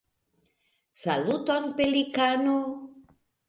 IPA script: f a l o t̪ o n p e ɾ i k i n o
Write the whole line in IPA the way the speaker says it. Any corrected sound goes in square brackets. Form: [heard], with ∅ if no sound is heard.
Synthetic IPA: [s] a l [u] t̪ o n p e [l] i k [a] n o